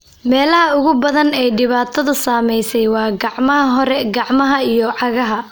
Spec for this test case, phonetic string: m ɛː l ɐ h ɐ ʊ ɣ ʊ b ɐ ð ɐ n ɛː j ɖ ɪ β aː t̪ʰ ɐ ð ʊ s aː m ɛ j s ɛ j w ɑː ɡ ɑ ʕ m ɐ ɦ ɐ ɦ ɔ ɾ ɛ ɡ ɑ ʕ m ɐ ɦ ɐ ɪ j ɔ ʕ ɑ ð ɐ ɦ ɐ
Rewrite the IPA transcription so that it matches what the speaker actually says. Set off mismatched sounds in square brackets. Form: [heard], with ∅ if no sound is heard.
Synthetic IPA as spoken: m ɛː l ɐ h ɐ ʊ ɣ ʊ b ɐ ð ɐ n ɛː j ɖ ɪ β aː t̪ʰ ɐ ð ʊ s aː m ɛ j s ɛ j w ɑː ɡ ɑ ʕ m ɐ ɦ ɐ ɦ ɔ ɾ ɛ ɡ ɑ ʕ m ɐ ɦ ɐ [i] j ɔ ʕ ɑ [ɣ] ɐ ɦ ɐ